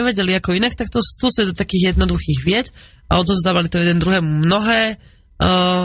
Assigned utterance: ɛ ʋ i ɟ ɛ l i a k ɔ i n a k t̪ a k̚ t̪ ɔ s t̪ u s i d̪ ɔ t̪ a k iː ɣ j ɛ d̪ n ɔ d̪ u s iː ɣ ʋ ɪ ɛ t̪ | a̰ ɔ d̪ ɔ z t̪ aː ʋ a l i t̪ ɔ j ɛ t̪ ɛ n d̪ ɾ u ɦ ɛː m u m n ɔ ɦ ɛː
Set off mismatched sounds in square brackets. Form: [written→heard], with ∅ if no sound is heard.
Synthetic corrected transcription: ɛ ʋ [i→ɛ] ɟ ɛ l i a k ɔ i n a k t̪ a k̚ t̪ ɔ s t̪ u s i d̪ ɔ t̪ a k iː ɣ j ɛ d̪ n ɔ d̪ u [s→x] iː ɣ ʋ ɪ ɛ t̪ | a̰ ɔ d̪ ɔ z [t̪→d̪] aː ʋ a l i t̪ ɔ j ɛ [t̪→d̪] ɛ n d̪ ɾ u ɦ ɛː m u m n ɔ ɦ ɛː